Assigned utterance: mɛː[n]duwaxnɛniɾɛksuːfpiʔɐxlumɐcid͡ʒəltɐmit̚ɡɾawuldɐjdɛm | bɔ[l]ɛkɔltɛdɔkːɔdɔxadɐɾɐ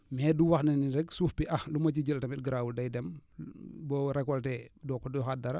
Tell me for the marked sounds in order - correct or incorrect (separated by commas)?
incorrect, incorrect